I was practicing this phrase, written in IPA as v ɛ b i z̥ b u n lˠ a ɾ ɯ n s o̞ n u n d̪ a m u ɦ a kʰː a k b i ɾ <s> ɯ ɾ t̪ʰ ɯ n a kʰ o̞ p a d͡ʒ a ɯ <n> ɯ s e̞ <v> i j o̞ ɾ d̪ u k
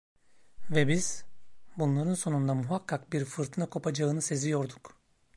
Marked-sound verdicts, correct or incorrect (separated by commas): incorrect, correct, incorrect